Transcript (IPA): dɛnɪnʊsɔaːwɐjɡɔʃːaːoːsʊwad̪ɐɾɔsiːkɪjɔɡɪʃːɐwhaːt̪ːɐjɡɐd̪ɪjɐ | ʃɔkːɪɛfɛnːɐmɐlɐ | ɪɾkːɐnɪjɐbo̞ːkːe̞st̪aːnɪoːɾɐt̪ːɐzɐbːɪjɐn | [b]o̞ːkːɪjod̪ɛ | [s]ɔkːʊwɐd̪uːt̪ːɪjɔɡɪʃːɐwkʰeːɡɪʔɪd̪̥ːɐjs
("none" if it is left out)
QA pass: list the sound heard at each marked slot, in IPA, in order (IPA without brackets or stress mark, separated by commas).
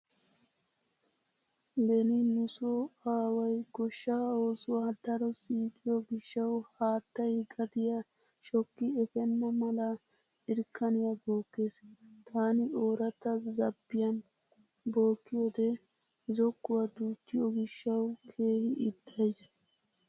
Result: b, z